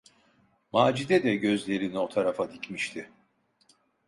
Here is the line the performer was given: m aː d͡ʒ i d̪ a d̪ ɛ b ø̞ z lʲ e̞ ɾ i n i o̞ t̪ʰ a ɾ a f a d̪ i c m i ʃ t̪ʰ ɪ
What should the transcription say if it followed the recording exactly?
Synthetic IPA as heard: m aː d͡ʒ i d̪ ɛ d̪ ɛ ɟ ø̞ z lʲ e̞ ɾ i n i o̞ t̪ʰ a ɾ a f a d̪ i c m i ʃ t̪ʰ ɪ